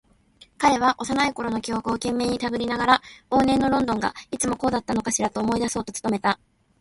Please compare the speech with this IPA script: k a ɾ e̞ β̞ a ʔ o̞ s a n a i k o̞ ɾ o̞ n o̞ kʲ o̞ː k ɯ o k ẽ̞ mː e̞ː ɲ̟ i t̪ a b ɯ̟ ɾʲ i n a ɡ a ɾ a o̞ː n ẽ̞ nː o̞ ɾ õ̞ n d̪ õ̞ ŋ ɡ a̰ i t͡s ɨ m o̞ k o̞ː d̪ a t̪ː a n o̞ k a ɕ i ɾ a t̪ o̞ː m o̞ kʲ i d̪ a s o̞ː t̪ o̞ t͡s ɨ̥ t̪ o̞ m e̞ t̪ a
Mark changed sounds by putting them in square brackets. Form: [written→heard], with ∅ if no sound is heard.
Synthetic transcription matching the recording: k a ɾ e̞ β̞ a ʔ o̞ s a n a i k o̞ ɾ o̞ n o̞ kʲ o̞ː k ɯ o k ẽ̞ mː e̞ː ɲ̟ i t̪ a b ɯ̟ ɾʲ i n a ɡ a ɾ a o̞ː n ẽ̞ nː o̞ ɾ õ̞ n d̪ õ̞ ŋ ɡ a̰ i t͡s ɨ m o̞ k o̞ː d̪ a t̪ː a n o̞ k a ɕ i ɾ a t̪ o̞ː m o̞ [kʲ→∅] i d̪ a s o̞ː t̪ o̞ t͡s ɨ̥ t̪ o̞ m e̞ t̪ a